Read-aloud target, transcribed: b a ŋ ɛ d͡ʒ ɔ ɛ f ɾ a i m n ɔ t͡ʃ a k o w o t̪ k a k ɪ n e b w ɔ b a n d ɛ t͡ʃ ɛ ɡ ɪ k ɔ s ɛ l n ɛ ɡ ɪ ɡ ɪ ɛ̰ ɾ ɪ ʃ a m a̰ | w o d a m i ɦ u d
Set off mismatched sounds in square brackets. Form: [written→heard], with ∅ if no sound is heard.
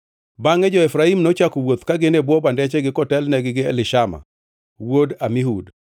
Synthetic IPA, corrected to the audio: b a ŋ ɛ d͡ʒ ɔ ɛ f ɾ a i m n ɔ t͡ʃ a k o w o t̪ k a [k→ɡ] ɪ n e b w ɔ b a n d ɛ t͡ʃ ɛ ɡ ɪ k ɔ [s→t] ɛ l n ɛ ɡ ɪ ɡ ɪ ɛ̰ [ɾ→l] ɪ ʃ a m a̰ | w o d a m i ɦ u d